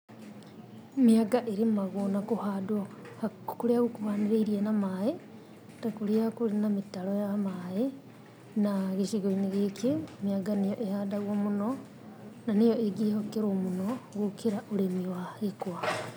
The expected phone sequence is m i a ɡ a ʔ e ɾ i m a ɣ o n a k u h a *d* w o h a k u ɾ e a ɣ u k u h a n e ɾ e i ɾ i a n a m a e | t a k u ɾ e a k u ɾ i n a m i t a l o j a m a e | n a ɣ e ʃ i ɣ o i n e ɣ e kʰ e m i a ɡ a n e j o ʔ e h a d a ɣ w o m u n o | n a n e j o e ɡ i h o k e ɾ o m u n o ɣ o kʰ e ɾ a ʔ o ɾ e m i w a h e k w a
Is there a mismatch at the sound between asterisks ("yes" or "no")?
no